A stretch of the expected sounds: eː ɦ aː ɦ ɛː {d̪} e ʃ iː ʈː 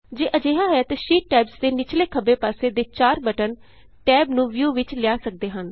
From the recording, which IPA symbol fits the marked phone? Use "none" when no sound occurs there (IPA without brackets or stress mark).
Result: t̪